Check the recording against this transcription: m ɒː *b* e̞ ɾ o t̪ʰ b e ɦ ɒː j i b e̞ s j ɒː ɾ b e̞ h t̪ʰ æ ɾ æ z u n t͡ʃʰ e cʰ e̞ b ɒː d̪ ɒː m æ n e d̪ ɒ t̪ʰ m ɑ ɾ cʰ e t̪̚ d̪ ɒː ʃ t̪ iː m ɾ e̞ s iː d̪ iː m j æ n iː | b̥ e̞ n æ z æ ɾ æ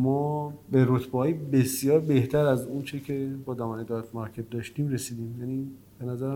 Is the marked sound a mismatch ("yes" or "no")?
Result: no